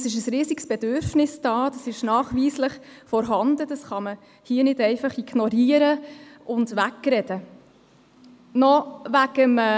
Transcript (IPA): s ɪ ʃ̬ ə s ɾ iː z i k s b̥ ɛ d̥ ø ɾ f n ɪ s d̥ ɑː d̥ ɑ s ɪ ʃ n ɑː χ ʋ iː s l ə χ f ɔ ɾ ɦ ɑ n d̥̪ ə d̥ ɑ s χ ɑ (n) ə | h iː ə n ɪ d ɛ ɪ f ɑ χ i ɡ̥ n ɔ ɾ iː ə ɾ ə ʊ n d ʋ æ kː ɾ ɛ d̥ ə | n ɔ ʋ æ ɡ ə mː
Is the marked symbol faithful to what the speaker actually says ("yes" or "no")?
no